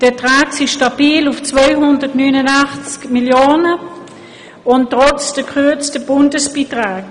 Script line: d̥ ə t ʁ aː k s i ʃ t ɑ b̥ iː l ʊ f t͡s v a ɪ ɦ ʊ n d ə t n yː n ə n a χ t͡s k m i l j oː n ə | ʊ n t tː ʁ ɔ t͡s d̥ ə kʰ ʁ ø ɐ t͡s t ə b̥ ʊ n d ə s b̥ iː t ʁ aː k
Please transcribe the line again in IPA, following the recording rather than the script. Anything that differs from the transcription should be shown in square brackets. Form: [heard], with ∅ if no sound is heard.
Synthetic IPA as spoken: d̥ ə t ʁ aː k s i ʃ t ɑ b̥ iː l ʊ f t͡s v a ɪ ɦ ʊ n d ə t n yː n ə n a χ t͡s k m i l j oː n ə | ʊ n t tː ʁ ɔ t͡s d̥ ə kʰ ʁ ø ɐ t͡s t ə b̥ ʊ n d ə s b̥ iː t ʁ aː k